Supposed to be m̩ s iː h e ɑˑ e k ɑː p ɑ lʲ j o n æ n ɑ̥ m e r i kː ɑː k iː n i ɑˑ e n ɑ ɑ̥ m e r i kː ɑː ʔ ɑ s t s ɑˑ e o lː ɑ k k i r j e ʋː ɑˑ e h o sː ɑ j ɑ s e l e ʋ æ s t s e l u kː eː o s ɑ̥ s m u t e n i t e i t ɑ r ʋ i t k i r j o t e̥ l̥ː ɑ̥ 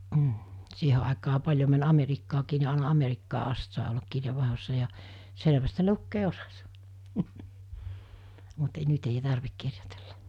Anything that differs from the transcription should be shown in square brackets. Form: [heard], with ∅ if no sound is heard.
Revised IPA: m̩ s iː h e ɑˑ e k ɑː p ɑ lʲ j o [m] æ n ɑ̥ m e r i kː ɑː k iː n i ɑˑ e n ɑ ɑ̥ m e r i kː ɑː ʔ ɑ s t s ɑˑ e o lː ɑ k k i r j e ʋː ɑˑ e h o sː ɑ j ɑ s e l e ʋ æ s t s e l u kː eː o s ɑ̥ s m u t e n [y] t e i t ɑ r ʋ i [k] k i r j o t e̥ l̥ː ɑ̥

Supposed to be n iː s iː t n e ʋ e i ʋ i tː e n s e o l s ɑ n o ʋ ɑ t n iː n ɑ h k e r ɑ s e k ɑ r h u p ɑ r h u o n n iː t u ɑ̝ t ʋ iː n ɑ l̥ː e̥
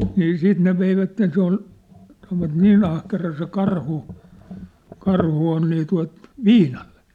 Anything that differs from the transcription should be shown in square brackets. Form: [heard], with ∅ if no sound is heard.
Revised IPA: n iː s iː t n e ʋ e i ʋ [æ] tː e n s e o l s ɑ n o ʋ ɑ t n iː n ɑ h k e r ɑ s e k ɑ r h u [k] ɑ r h u o n n iː t u ɑ̝ t ʋ iː n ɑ l̥ː e̥

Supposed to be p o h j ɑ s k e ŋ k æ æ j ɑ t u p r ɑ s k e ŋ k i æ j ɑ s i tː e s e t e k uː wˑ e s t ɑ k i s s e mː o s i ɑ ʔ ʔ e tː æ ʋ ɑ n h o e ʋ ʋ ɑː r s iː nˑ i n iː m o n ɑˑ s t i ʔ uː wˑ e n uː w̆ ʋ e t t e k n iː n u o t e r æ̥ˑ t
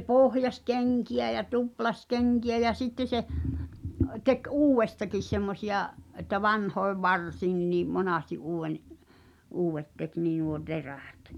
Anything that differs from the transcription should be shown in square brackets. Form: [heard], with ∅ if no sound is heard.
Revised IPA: p o h j ɑ s k e ŋ k [i] æ j ɑ t u p [l] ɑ s k e ŋ k i æ j ɑ s i tː e s e t e k uː wˑ e s t ɑ k i s s e mː o s i ɑ ʔ ʔ e tː æ ʋ ɑ n h o e ʋ ʋ [ɑ] r s iː nˑ i n iː m o n ɑˑ s t i ʔ uː wˑ e n uː w̆ ʋ e t t e k n iː n u o t e r æ̥ˑ t

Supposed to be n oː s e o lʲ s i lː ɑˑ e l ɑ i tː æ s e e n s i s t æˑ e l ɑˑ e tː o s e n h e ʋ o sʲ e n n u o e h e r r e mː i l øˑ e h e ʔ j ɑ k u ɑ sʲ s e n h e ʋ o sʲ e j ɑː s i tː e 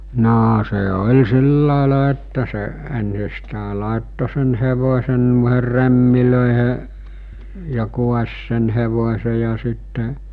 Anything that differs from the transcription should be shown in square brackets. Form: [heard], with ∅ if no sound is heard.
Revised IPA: n oː s e o lʲ s i lː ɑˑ e l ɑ [e] tː æ s e e n s i s t æˑ e l ɑˑ e tː o s e n h e ʋ o sʲ e n n u o e h e r r e mː i l øˑ e h e ʔ j ɑ k u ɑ sʲ s e n h e ʋ o sʲ e j [ɑ] s i tː e

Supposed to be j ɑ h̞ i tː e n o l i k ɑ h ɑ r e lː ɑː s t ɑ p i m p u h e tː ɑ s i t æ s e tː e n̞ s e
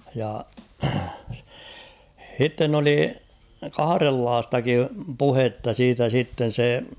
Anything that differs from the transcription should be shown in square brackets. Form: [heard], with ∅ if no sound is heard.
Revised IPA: j ɑ h̞ i tː e n o l i k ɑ h ɑ r e lː ɑː s t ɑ [k] i m p u h e tː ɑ s [iː] t æ s [i] tː e n̞ s e

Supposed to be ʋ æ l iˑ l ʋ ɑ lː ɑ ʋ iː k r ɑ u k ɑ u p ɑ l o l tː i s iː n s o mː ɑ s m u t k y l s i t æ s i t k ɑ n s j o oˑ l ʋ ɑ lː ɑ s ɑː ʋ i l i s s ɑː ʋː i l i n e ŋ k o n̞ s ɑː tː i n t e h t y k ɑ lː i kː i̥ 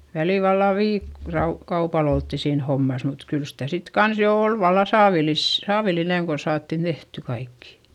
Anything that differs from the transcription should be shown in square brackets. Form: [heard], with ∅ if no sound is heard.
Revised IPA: ʋ æ l iˑ l ʋ ɑ lː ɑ ʋ iː k r ɑ u k ɑ u p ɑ l o l tː i s iː n [h] o mː ɑ s m u t k y l s i t æ s i t k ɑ n s j o oˑ l ʋ ɑ lː ɑ s ɑː ʋ i l i s s ɑː [ʋ] i l i n e ŋ k o n̞ s ɑː tː i n t e h t y k ɑ [∅] i kː i̥

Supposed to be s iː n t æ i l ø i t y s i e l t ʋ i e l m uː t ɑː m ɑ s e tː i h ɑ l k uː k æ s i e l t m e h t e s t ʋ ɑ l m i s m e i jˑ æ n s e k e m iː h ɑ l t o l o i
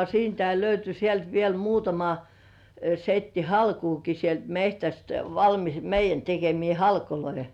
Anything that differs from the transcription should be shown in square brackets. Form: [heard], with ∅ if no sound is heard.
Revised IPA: s iː n t æ i l ø [y] t y s i e l t ʋ i e l m uː t [ɑ] m ɑ s e tː i h ɑ l k uː k [i] s i e l t m e h t [æ] s t ʋ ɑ l m i s m e i jˑ æ n [t] e k e m iː h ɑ l [k] o l o i

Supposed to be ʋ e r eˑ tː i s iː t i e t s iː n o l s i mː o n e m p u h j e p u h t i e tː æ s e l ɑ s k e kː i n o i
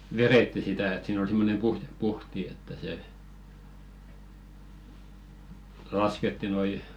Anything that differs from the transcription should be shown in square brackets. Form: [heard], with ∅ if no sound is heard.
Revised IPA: ʋ e r eˑ tː i s [i] t [æ] e t s iː n o l s i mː o n e m p u h j e p u h t i e tː æ s e l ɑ s k e [tː] i n o i

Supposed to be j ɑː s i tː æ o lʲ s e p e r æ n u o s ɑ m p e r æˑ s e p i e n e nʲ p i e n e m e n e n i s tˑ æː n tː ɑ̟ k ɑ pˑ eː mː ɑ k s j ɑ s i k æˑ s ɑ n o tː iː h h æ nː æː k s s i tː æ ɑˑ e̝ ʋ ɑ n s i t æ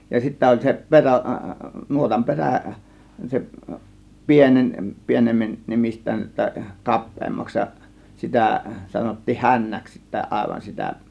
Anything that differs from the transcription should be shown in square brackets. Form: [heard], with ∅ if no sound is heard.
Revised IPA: j [ɑ] s i tː æ o lʲ s e p e r æ n u o [t] ɑ m p e r æˑ s e p i e n e nʲ p i e n e m e n e [m] i s tˑ æː n tː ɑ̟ k ɑ pˑ eː mː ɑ k s j ɑ s i [t] æˑ s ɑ n o tː iː h h æ nː [æ] k s s i tː æ ɑˑ e̝ ʋ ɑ n s i t æ

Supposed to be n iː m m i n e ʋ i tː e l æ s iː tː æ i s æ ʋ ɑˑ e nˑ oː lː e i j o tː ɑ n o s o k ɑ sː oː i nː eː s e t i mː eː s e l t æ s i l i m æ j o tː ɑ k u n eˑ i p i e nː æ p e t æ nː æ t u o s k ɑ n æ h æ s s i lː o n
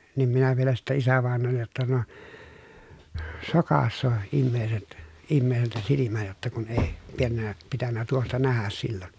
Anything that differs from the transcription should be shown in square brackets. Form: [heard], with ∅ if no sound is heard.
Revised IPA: n iː m m i n [æ] ʋ i [∅] e l æ s [i] tː æ i s æ ʋ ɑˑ e nˑ oː lː e [j] j o tː ɑ n o s o k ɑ sː oː i [mː] eː s e t i mː eː s e l t æ s i l i m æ j o tː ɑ k u n eˑ i p i e nː æ p [i] t æ nː æ t u o s [t] ɑ n æ h æ s s i lː o n

